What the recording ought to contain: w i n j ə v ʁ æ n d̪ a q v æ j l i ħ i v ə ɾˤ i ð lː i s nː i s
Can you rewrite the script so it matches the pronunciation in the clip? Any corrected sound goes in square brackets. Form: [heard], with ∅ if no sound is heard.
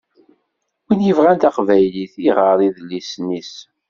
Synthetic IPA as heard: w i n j ə v ʁ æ n [t̪] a q v æ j l i [θ] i [ʁ] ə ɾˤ i ð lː i s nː i s